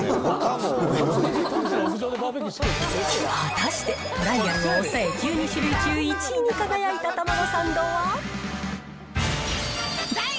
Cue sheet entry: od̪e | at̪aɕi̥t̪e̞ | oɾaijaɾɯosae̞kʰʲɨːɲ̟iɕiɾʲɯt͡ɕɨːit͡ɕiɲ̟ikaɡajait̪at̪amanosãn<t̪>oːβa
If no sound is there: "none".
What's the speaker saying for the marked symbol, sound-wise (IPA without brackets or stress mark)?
d̪